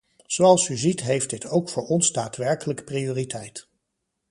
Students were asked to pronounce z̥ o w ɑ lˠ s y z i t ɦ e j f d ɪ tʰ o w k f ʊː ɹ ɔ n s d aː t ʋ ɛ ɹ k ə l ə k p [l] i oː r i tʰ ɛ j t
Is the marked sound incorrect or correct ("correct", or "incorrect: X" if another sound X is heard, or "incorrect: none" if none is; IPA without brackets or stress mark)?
incorrect: r